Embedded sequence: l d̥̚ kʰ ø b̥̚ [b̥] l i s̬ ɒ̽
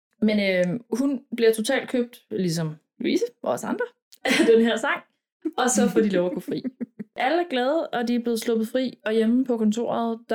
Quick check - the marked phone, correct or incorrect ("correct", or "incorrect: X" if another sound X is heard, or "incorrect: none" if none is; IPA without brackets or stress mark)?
incorrect: d̥